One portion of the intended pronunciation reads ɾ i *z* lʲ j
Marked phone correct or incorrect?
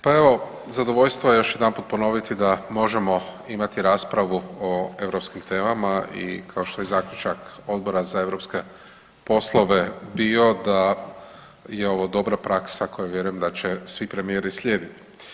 incorrect